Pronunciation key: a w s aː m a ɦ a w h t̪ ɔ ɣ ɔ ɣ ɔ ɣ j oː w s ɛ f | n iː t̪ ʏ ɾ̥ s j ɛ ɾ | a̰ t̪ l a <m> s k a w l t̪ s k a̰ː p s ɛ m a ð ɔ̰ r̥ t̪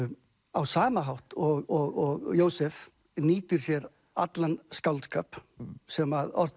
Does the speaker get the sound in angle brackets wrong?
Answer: yes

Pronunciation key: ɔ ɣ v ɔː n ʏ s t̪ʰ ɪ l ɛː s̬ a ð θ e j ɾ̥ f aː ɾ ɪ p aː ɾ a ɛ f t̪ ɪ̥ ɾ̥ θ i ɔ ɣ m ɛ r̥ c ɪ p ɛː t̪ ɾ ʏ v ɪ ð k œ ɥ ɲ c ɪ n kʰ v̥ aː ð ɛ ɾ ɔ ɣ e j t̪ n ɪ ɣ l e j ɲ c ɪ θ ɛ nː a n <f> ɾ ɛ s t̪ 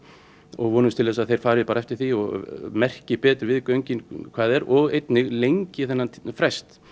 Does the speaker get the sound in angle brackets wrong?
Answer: no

